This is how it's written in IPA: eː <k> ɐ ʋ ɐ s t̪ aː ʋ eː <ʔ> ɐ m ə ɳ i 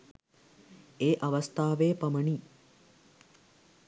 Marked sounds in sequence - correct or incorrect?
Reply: incorrect: ʔ, incorrect: p

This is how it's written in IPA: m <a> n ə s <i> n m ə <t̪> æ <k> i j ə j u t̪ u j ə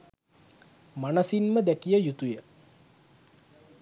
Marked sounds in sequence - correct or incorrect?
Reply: correct, correct, incorrect: d̪, correct

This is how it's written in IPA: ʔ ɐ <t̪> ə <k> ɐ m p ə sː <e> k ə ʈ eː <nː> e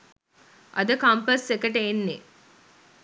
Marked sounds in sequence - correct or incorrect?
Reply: incorrect: d̪, correct, correct, correct

